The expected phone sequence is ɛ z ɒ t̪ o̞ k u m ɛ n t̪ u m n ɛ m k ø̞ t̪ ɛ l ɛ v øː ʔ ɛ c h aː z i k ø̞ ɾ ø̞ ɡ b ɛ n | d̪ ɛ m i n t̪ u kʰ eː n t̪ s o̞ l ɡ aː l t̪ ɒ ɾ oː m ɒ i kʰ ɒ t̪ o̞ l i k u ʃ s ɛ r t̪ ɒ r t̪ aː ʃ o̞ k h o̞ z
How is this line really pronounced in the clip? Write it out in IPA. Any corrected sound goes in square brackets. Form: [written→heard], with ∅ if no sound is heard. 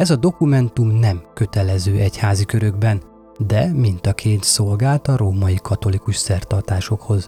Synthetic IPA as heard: ɛ z ɒ [t̪→d̪] o̞ k u m ɛ n t̪ u m n ɛ m k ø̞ t̪ ɛ l ɛ [v→z] øː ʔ ɛ c h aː z i k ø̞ ɾ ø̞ ɡ b ɛ n | d̪ ɛ m i n t̪ [u→ɒ] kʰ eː n t̪ s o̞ l ɡ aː l t̪ ɒ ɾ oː m ɒ i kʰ ɒ t̪ o̞ l i k u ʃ s ɛ r t̪ ɒ r t̪ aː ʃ o̞ k h o̞ z